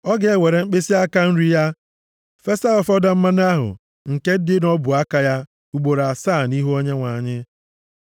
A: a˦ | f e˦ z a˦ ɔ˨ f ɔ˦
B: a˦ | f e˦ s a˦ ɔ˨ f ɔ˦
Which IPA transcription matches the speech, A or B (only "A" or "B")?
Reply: B